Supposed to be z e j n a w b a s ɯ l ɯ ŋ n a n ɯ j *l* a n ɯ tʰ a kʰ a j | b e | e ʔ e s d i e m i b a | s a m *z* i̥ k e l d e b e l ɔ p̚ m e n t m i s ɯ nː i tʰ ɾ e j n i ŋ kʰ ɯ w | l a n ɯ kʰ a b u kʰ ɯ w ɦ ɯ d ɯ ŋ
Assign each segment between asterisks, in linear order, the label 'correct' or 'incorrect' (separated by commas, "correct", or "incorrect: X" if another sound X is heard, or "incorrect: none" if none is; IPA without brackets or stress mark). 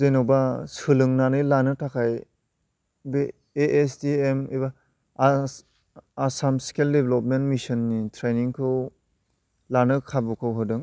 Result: correct, incorrect: s